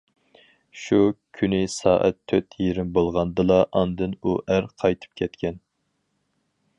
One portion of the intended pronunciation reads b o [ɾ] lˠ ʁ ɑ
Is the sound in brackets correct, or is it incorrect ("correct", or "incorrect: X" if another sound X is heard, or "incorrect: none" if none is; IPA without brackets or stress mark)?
incorrect: none